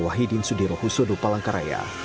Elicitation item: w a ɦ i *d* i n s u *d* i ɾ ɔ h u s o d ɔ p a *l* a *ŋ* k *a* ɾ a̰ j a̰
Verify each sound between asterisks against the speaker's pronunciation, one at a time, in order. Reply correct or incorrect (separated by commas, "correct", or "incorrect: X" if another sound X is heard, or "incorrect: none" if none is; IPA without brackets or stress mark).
correct, correct, correct, correct, correct